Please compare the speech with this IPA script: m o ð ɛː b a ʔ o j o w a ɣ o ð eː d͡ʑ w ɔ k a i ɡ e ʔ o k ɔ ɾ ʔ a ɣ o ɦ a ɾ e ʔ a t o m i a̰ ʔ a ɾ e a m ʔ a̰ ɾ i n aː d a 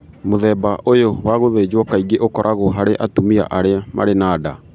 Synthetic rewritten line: m o ð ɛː b a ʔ o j o w a ɣ o ð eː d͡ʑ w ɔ k a i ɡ e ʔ o k ɔ ɾ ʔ a ɣ o ɦ a ɾ e ʔ a t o m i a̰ ʔ a ɾ e a m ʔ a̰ ɾ e n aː d a